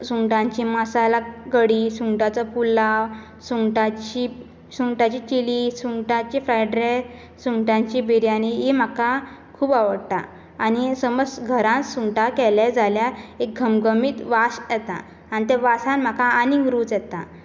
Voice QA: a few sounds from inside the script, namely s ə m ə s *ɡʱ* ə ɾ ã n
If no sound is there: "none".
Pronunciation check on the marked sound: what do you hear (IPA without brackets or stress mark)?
ɡʱ